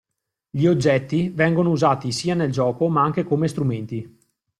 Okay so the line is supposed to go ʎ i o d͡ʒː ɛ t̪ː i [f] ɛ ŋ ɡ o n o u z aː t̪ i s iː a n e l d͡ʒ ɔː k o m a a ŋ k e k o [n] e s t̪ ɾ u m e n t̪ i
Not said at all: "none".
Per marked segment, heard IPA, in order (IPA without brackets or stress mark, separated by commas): v, m